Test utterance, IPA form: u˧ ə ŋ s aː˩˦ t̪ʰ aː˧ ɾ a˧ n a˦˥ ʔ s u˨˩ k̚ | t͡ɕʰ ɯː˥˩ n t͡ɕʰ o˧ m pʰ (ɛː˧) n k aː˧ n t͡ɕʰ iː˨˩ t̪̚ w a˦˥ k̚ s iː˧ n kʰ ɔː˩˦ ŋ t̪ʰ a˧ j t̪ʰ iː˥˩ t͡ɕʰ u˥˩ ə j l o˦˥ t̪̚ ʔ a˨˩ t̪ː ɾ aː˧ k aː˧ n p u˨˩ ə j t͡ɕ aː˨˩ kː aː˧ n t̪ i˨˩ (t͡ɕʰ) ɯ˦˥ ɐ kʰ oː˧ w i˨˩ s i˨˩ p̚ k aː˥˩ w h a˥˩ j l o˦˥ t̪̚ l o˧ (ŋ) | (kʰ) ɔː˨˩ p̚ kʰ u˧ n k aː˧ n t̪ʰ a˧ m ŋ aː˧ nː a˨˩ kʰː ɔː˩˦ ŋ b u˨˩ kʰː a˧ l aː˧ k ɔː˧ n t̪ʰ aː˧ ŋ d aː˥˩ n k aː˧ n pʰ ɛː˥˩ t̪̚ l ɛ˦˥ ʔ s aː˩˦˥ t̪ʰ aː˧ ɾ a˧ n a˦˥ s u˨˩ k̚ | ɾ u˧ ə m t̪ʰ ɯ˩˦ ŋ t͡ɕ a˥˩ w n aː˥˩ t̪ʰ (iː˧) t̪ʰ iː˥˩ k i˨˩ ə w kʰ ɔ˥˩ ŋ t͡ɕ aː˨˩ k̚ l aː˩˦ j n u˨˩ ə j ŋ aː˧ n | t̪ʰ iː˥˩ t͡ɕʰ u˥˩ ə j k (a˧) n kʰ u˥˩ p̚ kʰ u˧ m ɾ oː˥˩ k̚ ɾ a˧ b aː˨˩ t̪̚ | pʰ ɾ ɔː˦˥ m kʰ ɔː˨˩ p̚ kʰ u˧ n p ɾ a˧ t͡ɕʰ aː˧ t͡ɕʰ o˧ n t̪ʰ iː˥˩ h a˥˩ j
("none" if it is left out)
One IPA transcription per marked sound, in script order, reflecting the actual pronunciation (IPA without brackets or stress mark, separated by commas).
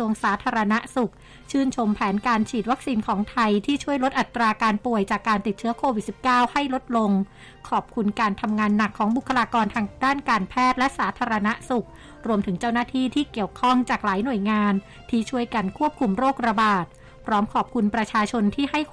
ɛː˩˦, t͡ɕʰ, ŋ, kʰ, iː˥˩, a˧